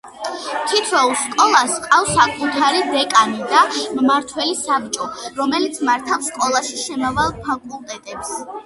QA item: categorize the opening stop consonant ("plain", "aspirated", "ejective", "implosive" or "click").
aspirated